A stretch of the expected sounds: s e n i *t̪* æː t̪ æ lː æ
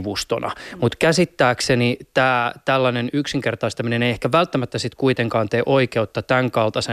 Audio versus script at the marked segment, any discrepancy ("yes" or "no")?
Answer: no